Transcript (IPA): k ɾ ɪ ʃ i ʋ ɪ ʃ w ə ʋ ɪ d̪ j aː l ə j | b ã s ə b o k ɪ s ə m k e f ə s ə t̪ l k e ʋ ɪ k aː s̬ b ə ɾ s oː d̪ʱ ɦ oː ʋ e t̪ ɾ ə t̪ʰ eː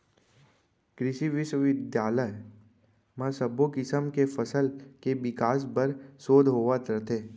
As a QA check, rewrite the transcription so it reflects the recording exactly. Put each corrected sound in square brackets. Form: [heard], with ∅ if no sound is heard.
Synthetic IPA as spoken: k ɾ ɪ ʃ i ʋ ɪ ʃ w ə ʋ ɪ d̪ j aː l ə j | [m] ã s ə b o k ɪ s ə m k e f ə s ə [∅] l k e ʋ ɪ k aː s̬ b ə ɾ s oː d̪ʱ ɦ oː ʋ [a] t̪ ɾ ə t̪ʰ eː

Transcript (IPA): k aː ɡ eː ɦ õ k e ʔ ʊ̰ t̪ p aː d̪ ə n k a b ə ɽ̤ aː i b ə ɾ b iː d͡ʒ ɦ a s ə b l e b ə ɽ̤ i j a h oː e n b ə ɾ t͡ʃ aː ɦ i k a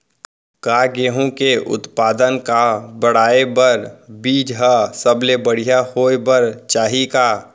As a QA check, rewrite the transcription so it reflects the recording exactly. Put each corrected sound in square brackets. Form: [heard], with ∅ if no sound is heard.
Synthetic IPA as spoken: k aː ɡ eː ɦ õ k e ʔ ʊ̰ t̪ p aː d̪ ə n k a b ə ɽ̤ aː [e] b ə ɾ b iː d͡ʒ ɦ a s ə b l e b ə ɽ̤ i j a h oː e [∅] b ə ɾ t͡ʃ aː ɦ i k a

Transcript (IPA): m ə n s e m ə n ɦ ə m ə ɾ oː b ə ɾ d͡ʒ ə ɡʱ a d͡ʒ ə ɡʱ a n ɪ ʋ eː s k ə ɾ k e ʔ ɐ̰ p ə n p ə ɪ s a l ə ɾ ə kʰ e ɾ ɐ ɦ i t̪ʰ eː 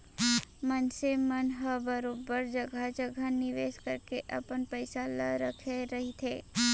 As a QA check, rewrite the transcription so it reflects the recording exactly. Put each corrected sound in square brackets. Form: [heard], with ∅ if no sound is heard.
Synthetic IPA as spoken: m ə n s e m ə n ɦ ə [b] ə ɾ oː b ə ɾ d͡ʒ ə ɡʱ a d͡ʒ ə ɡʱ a n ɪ ʋ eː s k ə ɾ k e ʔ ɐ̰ p ə n p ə ɪ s a l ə ɾ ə kʰ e ɾ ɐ ɦ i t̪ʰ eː

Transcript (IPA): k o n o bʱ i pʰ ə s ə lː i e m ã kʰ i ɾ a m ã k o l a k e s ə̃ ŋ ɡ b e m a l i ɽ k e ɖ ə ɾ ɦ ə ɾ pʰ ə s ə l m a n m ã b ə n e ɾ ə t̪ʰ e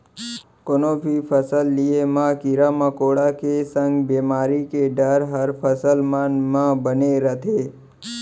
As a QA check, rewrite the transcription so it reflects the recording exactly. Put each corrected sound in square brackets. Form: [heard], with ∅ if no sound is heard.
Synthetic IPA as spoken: k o n o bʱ i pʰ ə s ə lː i e m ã [k] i ɾ a m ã k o [ɽ] a k e s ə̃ ŋ ɡ b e m a [ɾ] i [∅] k e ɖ ə ɾ ɦ ə ɾ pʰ ə s ə l m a n m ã b ə n e ɾ ə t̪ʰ e

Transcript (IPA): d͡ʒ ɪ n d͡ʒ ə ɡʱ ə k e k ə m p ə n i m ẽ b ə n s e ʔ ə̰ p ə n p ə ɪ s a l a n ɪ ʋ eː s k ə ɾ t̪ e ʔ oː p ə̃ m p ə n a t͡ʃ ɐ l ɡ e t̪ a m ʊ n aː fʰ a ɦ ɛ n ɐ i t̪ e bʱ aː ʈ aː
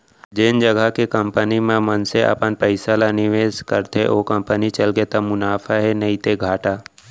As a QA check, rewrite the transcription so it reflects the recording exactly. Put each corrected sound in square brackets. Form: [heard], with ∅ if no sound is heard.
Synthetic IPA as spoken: d͡ʒ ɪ n d͡ʒ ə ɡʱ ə k e k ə m p ə n i m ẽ [m] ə n s e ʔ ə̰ p ə n p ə ɪ s a l a n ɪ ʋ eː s k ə ɾ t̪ e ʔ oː [k] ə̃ m p ə n [i] t͡ʃ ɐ l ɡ e t̪ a m ʊ n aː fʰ a ɦ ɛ n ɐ i t̪ e [ɡʱ] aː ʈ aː

